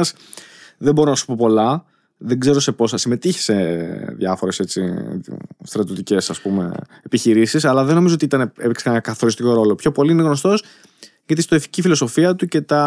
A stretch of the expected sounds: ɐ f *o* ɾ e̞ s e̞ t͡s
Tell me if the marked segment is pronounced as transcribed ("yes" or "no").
yes